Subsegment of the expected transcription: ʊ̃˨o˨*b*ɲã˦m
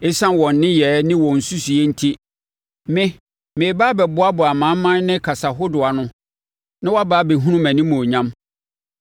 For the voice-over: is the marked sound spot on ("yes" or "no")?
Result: no